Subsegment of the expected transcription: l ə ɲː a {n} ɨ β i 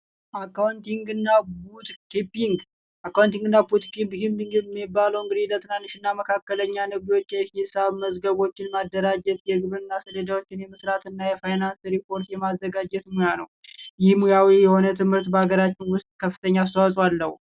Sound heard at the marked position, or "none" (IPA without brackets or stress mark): n